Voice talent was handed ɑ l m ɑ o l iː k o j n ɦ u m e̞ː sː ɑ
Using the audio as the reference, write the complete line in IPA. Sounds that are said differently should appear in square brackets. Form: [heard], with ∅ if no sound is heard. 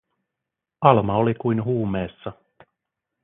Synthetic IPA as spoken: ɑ l m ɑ o l [i] k [u] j n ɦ [uː] m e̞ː sː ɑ

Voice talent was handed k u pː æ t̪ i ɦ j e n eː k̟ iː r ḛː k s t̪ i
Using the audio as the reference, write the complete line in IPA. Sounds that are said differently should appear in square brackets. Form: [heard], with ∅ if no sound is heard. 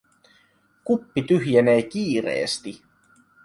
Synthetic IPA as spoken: k u pː [i] t̪ [y] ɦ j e n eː k̟ iː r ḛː [∅] s t̪ i

